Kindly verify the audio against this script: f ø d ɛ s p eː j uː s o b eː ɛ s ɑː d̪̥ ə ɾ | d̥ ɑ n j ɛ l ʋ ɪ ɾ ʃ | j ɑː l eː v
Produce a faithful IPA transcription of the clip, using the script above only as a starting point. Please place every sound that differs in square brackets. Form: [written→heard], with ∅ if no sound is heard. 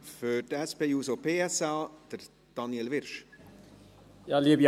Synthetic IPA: f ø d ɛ s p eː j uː s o [b→p] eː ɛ s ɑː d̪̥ ə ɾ | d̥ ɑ n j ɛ l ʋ ɪ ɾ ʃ | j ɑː l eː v